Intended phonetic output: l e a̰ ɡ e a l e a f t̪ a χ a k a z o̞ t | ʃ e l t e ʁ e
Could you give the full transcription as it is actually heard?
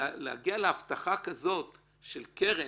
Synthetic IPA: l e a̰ ɡ i a l e a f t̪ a χ a k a z o̞ t | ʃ e l k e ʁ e